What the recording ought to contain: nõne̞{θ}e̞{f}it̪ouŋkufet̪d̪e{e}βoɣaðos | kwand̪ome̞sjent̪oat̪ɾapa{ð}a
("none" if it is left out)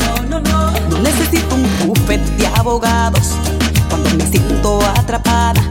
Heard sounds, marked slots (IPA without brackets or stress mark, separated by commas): s, s, a, ð